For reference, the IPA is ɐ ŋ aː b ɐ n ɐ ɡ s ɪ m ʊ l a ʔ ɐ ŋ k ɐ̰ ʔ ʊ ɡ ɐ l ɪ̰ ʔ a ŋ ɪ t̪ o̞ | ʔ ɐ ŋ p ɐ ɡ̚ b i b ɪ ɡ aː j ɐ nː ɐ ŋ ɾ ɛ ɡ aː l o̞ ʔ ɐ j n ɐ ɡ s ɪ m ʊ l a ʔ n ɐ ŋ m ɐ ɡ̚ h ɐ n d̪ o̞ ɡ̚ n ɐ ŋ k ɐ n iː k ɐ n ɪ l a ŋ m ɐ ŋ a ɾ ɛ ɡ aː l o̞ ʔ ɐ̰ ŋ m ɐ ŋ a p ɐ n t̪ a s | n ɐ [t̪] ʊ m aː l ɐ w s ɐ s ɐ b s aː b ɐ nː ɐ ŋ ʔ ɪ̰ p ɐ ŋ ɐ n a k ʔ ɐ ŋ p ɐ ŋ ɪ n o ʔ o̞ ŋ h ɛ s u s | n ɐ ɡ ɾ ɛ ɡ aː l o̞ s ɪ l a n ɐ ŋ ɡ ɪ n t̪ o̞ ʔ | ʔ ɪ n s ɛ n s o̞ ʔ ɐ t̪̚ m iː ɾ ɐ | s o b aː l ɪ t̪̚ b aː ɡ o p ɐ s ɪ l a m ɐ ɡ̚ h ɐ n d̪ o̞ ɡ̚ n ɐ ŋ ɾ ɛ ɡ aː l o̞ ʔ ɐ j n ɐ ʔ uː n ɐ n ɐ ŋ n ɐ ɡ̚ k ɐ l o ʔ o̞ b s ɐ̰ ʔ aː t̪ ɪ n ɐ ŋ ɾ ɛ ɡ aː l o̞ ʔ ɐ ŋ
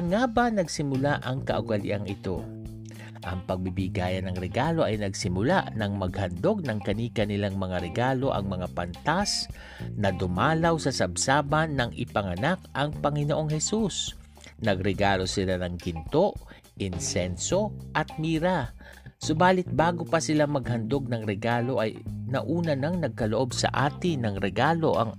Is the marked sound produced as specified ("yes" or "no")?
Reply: no